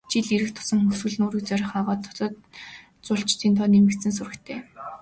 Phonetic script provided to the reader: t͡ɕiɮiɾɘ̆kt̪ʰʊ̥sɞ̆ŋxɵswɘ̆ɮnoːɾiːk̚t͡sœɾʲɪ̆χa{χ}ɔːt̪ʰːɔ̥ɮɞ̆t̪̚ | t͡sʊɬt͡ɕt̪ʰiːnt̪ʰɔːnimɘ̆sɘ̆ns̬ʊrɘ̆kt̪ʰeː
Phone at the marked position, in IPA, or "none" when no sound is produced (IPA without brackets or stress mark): ʁ